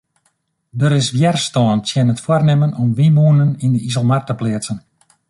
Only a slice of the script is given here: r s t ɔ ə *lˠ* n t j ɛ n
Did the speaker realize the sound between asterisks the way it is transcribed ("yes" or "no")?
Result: no